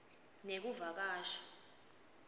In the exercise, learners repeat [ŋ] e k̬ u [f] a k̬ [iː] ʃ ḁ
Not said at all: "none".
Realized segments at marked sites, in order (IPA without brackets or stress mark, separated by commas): n, v, aː